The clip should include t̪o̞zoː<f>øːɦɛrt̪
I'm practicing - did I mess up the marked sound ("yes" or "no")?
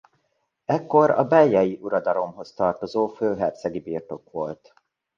no